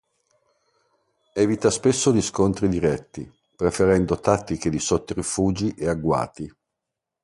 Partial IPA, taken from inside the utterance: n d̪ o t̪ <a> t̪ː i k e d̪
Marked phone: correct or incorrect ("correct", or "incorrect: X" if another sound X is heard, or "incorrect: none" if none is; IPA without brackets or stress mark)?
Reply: correct